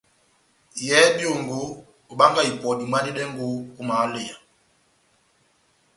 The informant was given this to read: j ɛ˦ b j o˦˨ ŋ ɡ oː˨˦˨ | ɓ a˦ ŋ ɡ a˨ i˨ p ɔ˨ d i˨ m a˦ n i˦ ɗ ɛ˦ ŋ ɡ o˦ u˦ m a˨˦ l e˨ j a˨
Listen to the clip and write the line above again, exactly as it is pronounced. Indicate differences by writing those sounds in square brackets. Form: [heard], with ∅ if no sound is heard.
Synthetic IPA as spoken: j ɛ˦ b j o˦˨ ŋ ɡ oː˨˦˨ | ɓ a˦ ŋ ɡ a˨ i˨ p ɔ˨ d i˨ m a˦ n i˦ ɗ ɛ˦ ŋ ɡ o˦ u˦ m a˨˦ l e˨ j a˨